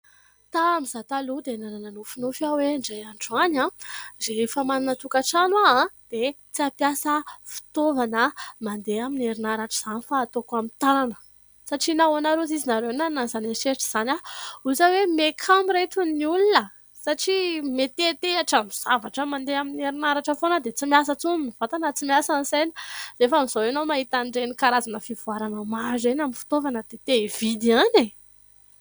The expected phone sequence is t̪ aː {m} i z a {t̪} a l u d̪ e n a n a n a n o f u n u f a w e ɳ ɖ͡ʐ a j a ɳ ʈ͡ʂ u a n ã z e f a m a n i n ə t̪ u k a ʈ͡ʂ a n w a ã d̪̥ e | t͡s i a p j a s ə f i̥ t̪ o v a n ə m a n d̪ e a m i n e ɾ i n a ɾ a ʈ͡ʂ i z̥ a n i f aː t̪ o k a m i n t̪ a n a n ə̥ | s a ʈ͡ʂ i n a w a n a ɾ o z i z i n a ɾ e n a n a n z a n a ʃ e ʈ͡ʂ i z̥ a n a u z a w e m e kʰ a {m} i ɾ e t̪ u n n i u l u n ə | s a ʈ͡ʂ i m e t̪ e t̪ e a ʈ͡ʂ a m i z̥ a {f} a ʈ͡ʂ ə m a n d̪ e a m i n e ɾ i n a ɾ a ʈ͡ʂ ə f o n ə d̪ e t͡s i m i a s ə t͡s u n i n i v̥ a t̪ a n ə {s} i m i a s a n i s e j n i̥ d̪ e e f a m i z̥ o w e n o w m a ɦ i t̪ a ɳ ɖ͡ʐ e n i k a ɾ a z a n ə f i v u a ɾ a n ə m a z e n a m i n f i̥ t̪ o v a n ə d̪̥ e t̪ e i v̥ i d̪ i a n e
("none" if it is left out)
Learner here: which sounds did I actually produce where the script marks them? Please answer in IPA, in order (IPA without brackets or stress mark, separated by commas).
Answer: m, t̪, m, v, t͡s